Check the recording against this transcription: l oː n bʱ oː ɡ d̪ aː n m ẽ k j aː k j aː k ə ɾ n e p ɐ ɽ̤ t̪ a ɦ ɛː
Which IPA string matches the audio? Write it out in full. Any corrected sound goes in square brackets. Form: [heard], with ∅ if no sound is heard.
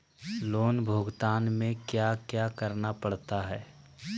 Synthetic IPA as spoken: l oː n bʱ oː ɡ [t̪] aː n m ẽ k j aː k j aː k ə ɾ n [a] p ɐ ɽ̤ t̪ a ɦ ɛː